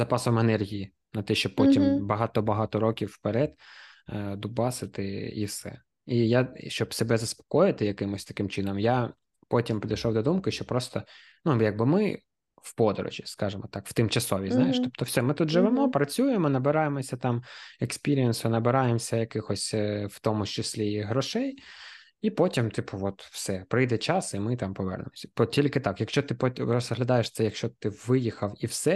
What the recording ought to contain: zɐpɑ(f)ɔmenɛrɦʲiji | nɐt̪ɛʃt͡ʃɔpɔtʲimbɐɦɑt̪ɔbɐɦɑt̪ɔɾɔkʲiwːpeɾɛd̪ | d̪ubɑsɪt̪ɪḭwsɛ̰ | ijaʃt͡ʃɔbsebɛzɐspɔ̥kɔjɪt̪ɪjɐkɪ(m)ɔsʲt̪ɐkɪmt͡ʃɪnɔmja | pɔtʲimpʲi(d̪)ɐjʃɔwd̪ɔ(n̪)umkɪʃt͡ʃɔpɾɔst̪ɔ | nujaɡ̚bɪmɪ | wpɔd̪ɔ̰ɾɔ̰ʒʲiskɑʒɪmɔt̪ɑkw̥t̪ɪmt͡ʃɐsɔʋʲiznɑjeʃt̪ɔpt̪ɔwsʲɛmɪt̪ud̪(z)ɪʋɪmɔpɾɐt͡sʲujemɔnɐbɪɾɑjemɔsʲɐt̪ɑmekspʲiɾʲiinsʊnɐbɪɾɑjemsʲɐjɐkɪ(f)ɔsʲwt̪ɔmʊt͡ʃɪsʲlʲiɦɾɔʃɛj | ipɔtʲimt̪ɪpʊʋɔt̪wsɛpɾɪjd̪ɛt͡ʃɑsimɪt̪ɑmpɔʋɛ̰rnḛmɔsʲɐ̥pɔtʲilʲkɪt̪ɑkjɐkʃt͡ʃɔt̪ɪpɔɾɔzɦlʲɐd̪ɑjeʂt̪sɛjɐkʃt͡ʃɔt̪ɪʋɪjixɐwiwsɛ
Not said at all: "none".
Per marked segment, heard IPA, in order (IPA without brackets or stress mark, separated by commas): s, m, d̪, d̪, ʒ, x